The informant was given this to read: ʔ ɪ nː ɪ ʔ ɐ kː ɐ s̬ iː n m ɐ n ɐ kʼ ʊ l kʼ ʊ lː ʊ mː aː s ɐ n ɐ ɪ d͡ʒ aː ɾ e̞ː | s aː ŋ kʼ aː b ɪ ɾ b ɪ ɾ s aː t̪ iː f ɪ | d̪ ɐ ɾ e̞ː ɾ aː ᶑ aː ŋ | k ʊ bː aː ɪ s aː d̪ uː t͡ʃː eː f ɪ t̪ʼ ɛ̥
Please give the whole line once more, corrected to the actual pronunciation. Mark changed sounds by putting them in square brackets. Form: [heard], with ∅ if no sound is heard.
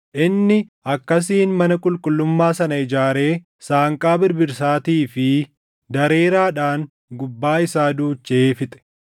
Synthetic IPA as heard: ʔ ɪ nː ɪ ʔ ɐ kː ɐ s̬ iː n m ɐ n ɐ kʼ ʊ l kʼ ʊ lː ʊ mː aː s ɐ n ɐ ɪ d͡ʒ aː ɾ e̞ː | s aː ŋ kʼ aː b ɪ ɾ b ɪ ɾ s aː t̪ iː f ɪ | d̪ ɐ ɾ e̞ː ɾ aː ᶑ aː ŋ | [ɡ] ʊ bː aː ɪ s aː d̪ uː t͡ʃː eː f ɪ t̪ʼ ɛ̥